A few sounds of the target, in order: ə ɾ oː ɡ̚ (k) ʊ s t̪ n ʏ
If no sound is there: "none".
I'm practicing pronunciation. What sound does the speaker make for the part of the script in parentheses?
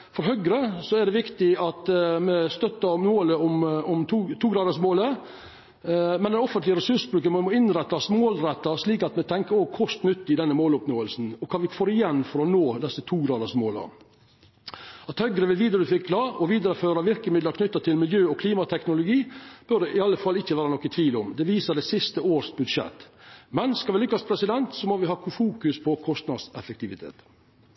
kʰ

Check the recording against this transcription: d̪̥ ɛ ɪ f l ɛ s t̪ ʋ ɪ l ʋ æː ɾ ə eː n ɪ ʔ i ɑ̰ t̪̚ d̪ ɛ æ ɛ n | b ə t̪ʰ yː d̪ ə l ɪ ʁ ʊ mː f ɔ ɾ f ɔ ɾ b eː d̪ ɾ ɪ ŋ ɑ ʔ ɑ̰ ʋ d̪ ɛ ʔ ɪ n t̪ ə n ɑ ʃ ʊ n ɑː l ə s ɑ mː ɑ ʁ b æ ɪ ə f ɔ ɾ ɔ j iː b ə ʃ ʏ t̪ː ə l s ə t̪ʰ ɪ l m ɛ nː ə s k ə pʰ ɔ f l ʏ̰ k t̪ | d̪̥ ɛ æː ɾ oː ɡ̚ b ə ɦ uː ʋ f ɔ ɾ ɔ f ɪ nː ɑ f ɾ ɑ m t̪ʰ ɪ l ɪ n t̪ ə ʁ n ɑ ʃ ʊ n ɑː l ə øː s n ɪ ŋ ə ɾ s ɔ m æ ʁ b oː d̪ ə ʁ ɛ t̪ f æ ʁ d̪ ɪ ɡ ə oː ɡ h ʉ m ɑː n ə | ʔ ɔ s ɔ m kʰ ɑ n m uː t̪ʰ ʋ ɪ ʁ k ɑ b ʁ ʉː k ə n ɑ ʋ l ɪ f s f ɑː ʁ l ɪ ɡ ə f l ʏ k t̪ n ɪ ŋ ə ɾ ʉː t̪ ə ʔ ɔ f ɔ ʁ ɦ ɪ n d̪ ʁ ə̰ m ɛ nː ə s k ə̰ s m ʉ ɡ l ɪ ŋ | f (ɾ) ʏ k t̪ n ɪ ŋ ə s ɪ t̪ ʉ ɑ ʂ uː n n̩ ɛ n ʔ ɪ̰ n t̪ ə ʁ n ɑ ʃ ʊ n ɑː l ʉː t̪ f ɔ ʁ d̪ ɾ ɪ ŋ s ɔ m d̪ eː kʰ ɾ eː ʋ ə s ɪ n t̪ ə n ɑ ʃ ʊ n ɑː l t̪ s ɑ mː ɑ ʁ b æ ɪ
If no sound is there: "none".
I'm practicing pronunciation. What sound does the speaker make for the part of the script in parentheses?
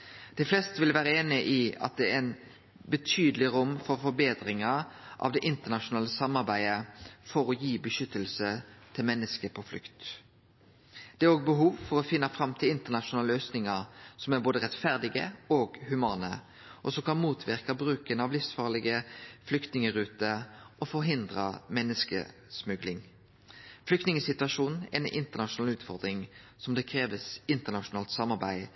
l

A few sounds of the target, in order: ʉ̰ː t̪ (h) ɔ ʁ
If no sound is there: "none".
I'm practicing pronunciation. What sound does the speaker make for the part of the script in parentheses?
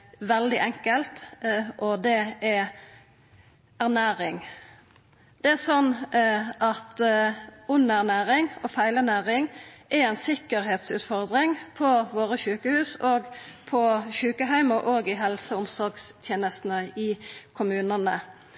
f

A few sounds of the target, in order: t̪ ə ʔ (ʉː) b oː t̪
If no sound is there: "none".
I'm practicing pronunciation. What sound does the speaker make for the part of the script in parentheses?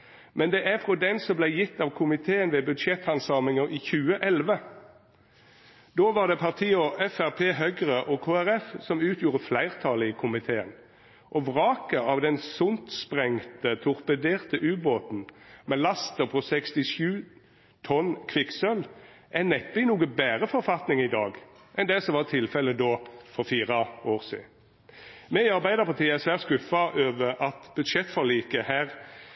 ʉː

